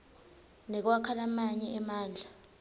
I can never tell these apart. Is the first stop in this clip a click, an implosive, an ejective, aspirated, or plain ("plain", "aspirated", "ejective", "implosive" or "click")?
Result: plain